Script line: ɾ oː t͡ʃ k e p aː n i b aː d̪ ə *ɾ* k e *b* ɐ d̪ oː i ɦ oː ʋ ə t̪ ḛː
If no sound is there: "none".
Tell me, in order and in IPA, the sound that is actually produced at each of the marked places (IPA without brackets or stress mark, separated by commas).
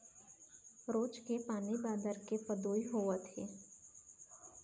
ɾ, p